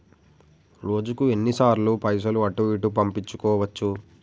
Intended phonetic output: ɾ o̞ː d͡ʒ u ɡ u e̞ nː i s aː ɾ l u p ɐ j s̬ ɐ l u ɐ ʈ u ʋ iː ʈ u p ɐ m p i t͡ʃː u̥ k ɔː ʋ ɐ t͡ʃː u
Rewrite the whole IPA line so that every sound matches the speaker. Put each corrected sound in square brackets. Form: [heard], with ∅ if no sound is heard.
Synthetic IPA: ɾ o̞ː d͡ʒ u [k] u e̞ nː i s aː ɾ l u p ɐ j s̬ ɐ l u ɐ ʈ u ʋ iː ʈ u p ɐ m p i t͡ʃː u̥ k ɔː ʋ ɐ t͡ʃː u